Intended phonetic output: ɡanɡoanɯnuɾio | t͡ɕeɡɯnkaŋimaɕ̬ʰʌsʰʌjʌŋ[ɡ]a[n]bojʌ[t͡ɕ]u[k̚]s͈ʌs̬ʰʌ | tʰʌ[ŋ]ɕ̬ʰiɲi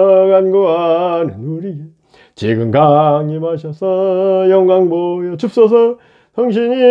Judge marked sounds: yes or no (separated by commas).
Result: yes, no, yes, no, yes